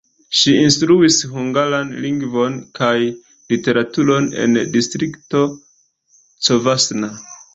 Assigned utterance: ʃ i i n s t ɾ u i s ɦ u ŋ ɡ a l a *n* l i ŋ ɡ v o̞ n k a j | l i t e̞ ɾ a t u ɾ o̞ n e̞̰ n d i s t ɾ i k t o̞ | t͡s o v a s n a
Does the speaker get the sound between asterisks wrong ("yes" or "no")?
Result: no